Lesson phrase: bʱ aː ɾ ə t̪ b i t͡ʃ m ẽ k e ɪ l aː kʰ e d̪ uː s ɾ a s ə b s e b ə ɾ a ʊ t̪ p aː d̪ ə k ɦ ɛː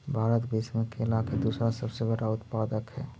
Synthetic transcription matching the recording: bʱ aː ɾ ə t̪ b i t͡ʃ m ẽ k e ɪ l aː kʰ e d̪ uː s ɾ a s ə b s e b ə ɽ a ʊ t̪ p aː d̪ ə k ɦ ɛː